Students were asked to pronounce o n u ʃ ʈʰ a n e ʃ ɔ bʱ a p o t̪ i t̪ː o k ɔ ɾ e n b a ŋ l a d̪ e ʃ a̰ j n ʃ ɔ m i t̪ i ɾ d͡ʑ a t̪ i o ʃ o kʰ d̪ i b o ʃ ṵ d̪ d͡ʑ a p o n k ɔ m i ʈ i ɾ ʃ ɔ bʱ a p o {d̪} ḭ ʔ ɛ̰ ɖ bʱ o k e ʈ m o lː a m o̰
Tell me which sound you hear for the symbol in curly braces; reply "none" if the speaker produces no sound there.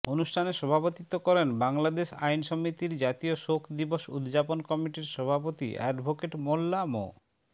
t̪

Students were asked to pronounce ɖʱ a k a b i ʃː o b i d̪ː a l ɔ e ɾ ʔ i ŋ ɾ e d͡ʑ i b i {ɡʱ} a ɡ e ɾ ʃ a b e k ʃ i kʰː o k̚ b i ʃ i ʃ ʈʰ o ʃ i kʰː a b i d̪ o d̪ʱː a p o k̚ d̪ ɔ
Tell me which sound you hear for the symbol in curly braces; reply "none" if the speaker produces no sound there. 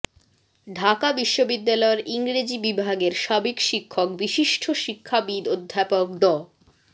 bʱ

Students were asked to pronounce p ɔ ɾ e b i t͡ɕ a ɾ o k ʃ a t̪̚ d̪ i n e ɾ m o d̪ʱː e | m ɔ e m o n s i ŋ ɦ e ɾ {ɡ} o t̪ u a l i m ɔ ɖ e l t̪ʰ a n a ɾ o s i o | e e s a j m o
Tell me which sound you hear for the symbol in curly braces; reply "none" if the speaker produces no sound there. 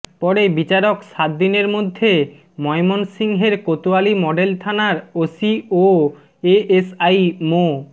k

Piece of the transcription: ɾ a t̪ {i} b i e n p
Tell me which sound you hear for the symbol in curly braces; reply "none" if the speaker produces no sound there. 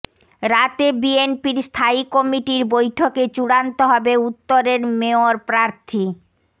e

